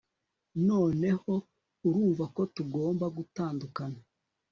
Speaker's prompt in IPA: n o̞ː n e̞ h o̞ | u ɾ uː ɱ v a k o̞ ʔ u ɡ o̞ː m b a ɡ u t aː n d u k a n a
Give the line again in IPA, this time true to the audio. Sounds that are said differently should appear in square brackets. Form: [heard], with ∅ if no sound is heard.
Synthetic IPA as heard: n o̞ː n e̞ h o̞ | u ɾ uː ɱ v a k o̞ [t] u ɡ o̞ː m b a ɡ u t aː n d u k a n a